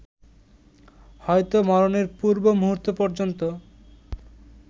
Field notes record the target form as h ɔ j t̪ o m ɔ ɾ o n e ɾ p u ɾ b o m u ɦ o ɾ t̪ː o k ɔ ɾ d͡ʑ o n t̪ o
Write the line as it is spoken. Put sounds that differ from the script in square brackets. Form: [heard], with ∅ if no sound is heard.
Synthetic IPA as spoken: h ɔ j t̪ o m ɔ ɾ o n e ɾ p u ɾ b o m u ɦ [u] ɾ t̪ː o [p] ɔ ɾ d͡ʑ o n t̪ o